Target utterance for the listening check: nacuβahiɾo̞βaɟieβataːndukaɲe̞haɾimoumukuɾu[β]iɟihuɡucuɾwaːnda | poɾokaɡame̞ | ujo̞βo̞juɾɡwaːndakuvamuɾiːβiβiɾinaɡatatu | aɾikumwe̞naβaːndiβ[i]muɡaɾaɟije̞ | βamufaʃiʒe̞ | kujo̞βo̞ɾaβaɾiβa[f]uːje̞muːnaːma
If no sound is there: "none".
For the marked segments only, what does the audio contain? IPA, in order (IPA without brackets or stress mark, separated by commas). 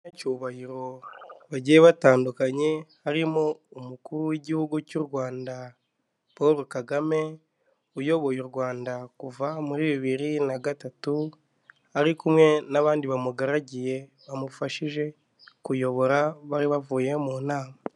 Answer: w, a, v